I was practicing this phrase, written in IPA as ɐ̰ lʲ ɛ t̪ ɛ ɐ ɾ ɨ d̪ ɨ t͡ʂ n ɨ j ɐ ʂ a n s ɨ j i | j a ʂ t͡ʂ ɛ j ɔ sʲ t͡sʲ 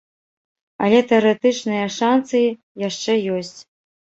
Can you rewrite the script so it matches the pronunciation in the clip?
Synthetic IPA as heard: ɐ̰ lʲ ɛ t̪ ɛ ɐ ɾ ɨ t̪ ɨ t͡ʂ n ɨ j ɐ ʂ a n s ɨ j i | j a ʂ t͡ʂ ɛ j ɔ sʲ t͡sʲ